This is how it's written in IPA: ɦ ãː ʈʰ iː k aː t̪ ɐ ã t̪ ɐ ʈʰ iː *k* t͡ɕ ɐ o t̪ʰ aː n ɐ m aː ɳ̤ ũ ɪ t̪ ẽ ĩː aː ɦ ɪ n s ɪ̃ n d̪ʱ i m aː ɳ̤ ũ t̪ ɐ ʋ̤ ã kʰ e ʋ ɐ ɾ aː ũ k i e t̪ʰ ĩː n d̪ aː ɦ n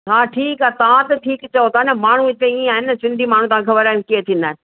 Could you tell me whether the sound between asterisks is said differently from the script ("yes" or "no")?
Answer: no